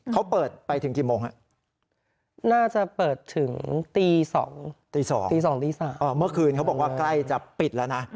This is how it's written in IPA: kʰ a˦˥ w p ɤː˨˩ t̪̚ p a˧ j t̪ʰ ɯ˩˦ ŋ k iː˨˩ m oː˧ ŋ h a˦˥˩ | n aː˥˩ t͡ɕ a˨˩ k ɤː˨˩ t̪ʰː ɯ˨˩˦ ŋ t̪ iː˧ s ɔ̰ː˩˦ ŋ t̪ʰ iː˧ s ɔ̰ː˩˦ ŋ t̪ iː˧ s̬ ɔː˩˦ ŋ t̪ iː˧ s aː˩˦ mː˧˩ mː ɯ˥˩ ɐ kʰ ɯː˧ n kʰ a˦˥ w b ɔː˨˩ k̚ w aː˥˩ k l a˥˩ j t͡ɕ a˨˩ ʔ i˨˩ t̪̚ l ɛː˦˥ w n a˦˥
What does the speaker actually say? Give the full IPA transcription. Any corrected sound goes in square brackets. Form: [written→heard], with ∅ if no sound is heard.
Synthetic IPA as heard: kʰ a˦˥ w p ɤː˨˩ t̪̚ p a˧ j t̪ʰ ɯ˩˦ ŋ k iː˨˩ m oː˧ ŋ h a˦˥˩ | n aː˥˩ t͡ɕ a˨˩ [k→p] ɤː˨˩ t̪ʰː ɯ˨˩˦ ŋ t̪ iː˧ s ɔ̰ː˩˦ ŋ [t̪ʰ→t̪] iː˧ s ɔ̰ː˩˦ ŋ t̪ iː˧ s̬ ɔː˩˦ ŋ t̪ iː˧ s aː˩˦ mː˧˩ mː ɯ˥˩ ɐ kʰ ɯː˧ n kʰ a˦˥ w b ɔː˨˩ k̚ w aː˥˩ k l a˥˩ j t͡ɕ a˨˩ [ʔ→p] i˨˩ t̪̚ l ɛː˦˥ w n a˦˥